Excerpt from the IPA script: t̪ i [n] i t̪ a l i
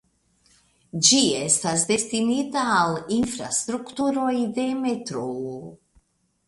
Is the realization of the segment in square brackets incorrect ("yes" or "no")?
no